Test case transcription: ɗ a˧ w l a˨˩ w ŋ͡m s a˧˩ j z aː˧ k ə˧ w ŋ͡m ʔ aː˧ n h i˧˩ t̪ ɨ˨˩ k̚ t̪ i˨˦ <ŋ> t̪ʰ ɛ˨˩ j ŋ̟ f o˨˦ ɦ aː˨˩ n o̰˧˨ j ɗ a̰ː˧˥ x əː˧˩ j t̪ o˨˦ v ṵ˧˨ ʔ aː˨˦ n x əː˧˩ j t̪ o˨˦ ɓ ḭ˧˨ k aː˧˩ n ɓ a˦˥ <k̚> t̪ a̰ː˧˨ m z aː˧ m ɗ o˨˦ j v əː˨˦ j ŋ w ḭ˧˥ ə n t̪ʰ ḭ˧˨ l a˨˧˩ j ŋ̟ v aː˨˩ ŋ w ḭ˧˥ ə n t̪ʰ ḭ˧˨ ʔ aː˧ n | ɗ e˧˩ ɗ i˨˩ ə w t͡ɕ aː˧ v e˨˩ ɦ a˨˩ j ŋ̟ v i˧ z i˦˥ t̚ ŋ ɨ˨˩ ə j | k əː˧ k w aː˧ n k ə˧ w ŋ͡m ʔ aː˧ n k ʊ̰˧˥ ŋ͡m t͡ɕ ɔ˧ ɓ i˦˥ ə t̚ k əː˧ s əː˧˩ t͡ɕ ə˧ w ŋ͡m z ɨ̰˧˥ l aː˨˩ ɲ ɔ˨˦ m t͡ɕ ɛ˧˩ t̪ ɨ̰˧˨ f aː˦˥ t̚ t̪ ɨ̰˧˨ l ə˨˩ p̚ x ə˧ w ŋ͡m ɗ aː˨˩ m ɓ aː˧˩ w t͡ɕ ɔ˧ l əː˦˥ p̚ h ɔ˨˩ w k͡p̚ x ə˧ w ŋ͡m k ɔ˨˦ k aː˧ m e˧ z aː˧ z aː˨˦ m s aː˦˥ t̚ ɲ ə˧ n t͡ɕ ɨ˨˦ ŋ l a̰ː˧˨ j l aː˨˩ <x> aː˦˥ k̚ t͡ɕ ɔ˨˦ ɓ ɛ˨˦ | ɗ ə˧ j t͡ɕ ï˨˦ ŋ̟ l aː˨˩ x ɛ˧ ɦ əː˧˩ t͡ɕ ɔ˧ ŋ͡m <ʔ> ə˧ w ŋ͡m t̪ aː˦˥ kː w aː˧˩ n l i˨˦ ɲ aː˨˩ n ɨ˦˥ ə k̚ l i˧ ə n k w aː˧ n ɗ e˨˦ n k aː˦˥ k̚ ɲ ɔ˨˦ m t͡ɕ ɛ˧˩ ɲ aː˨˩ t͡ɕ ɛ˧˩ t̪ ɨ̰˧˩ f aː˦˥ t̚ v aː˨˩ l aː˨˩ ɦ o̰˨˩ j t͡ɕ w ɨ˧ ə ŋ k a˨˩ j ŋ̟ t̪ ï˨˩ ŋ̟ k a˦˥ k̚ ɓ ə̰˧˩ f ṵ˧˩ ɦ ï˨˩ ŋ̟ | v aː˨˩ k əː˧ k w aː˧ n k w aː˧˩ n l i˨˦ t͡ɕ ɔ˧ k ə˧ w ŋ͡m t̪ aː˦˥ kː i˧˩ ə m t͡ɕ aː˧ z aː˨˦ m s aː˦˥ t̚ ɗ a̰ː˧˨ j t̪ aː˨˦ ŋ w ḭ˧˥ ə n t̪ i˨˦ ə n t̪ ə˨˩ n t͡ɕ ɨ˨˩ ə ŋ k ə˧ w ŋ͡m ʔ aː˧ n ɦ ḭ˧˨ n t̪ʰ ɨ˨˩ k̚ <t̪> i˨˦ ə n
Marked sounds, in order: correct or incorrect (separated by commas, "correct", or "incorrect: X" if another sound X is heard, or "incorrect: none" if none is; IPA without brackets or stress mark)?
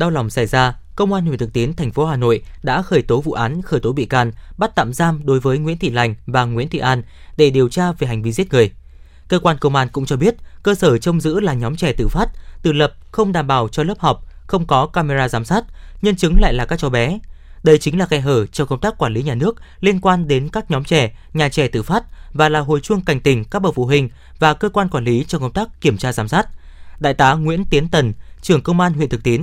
incorrect: n, incorrect: t̚, incorrect: k, incorrect: k, correct